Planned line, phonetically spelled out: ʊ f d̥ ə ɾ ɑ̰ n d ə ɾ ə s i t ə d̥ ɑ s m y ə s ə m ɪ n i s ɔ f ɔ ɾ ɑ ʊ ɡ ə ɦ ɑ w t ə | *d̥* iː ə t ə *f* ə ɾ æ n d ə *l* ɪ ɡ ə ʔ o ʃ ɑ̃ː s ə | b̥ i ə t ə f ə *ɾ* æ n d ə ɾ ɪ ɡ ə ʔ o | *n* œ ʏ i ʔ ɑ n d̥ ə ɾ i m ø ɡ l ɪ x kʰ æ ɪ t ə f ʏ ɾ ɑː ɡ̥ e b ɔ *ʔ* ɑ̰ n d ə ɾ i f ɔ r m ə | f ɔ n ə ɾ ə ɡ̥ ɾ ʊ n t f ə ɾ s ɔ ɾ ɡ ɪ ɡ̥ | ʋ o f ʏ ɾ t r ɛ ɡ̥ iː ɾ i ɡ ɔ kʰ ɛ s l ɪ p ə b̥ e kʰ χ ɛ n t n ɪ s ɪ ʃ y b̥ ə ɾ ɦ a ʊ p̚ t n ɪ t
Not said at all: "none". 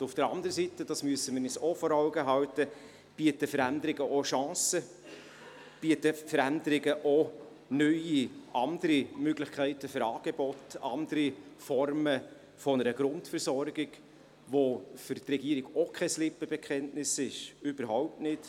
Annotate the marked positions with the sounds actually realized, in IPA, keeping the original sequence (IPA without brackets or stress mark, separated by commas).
b̥, f, ɾ, ɾ, n, t